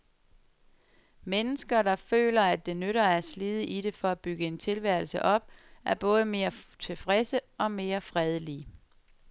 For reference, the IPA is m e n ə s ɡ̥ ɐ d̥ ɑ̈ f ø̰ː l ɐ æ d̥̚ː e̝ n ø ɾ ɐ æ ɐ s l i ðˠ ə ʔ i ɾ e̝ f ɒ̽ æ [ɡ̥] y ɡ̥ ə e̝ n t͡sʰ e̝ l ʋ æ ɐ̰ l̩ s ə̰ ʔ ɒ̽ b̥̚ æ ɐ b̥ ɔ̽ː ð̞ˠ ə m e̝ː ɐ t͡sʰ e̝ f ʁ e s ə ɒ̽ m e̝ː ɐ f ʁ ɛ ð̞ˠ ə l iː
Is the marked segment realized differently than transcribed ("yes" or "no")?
yes